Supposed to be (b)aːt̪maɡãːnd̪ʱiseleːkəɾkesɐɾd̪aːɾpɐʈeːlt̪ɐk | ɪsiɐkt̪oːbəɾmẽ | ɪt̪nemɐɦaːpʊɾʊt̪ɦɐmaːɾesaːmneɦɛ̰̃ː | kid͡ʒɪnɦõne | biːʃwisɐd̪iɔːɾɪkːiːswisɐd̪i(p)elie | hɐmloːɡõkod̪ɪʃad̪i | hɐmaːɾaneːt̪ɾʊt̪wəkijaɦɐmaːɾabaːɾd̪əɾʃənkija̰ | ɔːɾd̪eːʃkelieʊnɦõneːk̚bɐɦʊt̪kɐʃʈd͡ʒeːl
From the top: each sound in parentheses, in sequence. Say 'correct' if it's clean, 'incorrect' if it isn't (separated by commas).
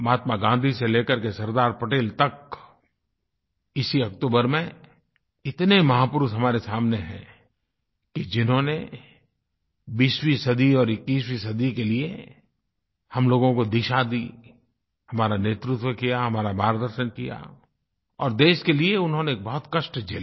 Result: incorrect, incorrect